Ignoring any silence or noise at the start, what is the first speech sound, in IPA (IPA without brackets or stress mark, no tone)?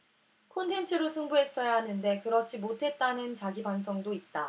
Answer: kʰ